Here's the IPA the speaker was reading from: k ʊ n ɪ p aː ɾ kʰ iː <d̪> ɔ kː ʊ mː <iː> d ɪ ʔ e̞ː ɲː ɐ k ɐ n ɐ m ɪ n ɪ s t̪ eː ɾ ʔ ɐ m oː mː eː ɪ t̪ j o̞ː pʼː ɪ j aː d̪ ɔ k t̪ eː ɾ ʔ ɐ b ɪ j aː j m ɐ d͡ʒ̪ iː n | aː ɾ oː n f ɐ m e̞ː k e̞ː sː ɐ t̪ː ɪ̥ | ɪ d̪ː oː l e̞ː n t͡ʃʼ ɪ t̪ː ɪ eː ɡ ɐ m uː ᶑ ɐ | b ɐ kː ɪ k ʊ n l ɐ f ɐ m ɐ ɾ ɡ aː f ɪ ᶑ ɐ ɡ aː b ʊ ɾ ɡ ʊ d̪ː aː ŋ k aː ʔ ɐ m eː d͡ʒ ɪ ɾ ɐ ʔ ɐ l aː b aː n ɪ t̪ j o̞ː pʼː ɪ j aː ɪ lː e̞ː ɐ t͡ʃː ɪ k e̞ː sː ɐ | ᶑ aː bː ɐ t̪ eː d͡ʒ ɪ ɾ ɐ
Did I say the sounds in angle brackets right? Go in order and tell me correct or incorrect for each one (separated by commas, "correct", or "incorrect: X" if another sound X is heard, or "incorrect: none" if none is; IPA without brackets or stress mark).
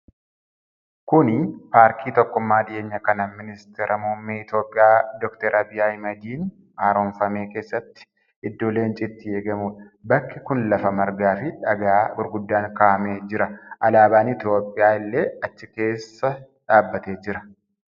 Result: incorrect: t̪, incorrect: aː